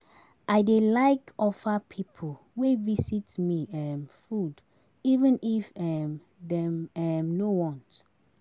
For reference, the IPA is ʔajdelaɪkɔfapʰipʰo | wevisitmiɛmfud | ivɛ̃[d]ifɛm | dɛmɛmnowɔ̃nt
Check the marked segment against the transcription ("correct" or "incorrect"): incorrect